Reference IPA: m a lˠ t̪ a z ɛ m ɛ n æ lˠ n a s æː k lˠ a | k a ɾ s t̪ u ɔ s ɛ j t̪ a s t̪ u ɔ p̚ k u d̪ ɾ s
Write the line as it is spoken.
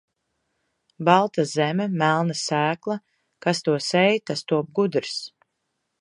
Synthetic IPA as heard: b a lˠ t̪ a z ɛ m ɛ m æ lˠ n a s æː k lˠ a | k a s t̪ u ɔ s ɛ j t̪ a s t̪ u ɔ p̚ ɡ u d̪ ɾ s

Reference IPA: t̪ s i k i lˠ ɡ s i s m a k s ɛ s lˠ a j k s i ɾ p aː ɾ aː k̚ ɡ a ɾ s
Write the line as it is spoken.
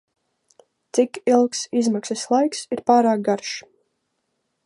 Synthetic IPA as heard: t̪ s i k i lˠ k s i z m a k s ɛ s lˠ a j k s i ɾ p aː ɾ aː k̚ ɡ a ɾ ʃ

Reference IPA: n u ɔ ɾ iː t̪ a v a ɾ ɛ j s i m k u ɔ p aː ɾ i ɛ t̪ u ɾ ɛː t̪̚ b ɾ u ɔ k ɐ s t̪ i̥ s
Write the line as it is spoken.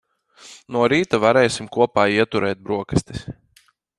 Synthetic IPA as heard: n u ɔ ɾ iː t̪ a v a ɾ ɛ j s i m k u ɔ p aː i ɛ t̪ u ɾ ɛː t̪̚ b ɾ u ɔ k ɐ s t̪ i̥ s

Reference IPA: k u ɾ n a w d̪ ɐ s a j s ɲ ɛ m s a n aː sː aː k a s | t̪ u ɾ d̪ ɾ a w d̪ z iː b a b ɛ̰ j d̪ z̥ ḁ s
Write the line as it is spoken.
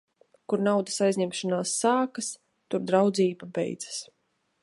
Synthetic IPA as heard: k u ɾ n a w d̪ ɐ s a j z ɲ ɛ m ʃ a n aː sː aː k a s | t̪ u ɾ d̪ ɾ a w d̪ z iː b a b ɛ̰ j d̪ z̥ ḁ s

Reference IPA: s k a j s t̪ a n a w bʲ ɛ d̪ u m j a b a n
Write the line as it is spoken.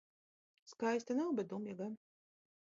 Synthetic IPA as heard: s k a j s t̪ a n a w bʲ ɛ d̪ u m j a ɡ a n

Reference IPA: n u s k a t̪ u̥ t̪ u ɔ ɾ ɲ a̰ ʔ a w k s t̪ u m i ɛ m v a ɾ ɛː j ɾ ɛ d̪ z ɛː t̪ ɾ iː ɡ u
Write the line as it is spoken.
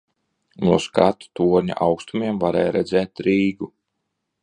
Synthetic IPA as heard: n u s k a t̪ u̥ t̪ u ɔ ɾ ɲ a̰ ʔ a w k s t̪ u m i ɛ m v a ɾ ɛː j ɾ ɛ d̪ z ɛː t̪ ɾ iː ɡ u

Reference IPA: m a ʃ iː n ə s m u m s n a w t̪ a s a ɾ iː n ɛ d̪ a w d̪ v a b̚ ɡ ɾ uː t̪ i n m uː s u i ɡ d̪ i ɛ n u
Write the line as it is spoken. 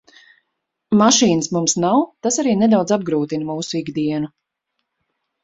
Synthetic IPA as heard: m a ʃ iː n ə s m u m s n a w t̪ a s a ɾ iː n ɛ d̪ a w d̪ z a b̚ ɡ ɾ uː t̪ i n m uː s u i ɡ d̪ i ɛ n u

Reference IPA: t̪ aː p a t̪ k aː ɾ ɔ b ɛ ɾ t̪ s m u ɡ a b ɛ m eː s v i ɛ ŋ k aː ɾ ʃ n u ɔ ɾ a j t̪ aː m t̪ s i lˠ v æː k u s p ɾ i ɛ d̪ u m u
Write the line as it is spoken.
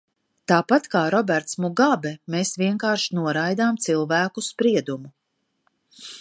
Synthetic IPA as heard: t̪ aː p a t̪ k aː ɾ ɔ b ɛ ɾ t̪ s m u ɡ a b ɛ m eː s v i ɛ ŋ k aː ɾ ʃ n u ɔ ɾ a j d̪ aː m t̪ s i lˠ v æː k u s p ɾ i ɛ d̪ u m u

